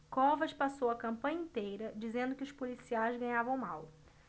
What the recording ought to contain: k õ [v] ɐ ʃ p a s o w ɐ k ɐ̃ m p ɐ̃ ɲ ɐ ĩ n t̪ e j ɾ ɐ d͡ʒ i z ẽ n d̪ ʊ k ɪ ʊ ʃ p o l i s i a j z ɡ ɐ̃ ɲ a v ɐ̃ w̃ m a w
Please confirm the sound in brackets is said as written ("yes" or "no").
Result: yes